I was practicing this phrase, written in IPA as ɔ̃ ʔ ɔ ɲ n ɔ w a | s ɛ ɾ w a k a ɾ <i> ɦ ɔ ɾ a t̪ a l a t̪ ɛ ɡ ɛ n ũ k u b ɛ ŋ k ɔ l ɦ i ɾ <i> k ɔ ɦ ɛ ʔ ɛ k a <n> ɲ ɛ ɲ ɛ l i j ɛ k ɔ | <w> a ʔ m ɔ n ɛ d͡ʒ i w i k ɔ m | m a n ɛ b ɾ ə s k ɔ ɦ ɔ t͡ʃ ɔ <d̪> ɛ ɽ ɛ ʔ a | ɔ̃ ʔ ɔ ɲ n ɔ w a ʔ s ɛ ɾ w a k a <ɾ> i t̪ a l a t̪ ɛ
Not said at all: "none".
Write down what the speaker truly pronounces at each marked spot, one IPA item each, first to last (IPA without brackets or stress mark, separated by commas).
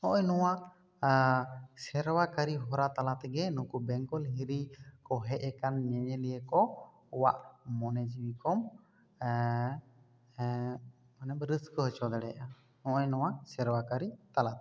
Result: i, i, n, w, d̪, ɾ